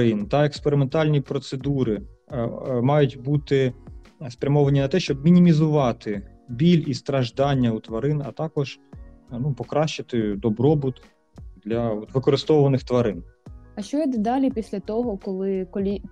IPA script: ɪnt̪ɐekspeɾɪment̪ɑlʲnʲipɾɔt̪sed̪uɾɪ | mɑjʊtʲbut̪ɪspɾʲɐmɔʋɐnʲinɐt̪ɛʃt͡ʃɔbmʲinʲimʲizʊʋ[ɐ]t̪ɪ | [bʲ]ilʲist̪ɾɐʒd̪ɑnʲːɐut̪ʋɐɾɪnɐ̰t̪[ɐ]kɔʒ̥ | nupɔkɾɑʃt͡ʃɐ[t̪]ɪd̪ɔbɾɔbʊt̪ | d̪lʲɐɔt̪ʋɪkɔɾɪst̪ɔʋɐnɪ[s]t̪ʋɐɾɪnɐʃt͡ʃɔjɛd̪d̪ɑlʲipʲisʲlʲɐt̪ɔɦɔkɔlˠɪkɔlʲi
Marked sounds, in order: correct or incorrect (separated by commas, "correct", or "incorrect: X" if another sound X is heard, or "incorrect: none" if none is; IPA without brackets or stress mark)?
incorrect: ɑ, correct, incorrect: ɑ, correct, incorrect: x